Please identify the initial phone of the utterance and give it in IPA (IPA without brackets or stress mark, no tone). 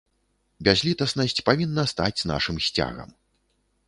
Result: bʲ